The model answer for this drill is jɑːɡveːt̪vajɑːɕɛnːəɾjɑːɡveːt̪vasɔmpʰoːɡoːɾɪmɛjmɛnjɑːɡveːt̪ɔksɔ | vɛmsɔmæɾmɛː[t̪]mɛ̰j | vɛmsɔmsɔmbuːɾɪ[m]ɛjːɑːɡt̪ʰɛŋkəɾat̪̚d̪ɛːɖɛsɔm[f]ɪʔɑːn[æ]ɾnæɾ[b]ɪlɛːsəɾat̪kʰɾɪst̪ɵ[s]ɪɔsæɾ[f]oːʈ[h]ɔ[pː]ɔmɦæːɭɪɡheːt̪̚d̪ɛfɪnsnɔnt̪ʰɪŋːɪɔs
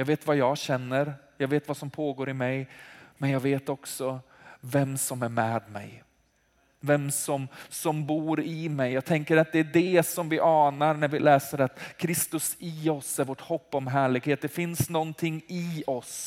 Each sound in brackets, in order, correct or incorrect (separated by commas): incorrect, correct, incorrect, incorrect, incorrect, correct, incorrect, correct, correct